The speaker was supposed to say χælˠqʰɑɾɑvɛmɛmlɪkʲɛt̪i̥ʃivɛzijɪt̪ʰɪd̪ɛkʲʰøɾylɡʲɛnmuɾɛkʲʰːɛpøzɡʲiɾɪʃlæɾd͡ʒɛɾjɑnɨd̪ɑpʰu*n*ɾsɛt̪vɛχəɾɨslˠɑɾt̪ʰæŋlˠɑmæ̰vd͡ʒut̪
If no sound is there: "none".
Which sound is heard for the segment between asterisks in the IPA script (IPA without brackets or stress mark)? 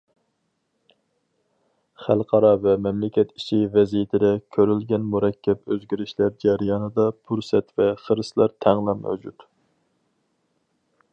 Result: none